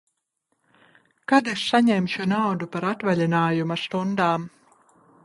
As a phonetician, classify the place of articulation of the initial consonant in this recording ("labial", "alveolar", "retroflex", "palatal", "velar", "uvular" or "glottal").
velar